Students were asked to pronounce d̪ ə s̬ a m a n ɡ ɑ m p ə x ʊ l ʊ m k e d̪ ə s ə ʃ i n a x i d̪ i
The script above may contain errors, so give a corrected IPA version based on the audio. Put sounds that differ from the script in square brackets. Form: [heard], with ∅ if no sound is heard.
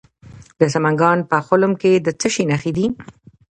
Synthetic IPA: d̪ ə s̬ a m a [ŋ] ɡ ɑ [n] p ə x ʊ l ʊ m k e d̪ ə [t͡s] ə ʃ i n a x i d̪ i